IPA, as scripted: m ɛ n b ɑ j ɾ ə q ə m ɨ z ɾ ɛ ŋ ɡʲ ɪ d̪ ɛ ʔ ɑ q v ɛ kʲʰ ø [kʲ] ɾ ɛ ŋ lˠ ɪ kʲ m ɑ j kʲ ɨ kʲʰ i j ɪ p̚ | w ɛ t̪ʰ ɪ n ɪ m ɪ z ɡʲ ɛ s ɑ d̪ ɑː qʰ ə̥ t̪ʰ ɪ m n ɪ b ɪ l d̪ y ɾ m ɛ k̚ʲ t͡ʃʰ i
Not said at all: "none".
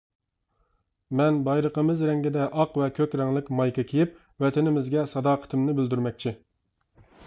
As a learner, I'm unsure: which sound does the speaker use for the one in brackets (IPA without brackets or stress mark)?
kʲ